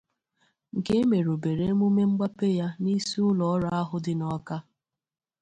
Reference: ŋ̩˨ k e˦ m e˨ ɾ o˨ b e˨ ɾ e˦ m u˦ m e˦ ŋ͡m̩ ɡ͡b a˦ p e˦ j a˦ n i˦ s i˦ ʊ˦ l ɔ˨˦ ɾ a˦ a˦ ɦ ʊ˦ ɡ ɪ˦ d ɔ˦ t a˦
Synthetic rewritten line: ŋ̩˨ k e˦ m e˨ ɾ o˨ b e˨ ɾ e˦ m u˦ m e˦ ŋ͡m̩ ɡ͡b a˦ p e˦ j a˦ n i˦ s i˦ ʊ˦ l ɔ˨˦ ɾ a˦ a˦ ɦ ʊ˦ d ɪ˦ n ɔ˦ k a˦

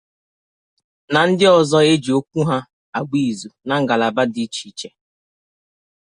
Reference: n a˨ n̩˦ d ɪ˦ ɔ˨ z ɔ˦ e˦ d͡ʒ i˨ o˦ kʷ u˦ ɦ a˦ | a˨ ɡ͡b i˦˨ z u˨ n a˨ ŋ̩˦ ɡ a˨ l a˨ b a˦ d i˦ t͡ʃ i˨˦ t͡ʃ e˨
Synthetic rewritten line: n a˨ n̩˦ d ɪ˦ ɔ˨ z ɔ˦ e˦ d͡ʒ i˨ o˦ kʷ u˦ ɦ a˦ | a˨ ɡ͡b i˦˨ z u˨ n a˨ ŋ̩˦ ɡ a˨ l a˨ b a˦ d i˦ t͡ʃ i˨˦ t͡ʃ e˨

